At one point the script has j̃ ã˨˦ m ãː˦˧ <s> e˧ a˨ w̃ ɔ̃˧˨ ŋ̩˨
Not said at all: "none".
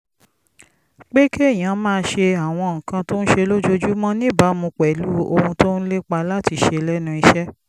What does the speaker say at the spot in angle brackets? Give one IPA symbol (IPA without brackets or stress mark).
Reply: ʃ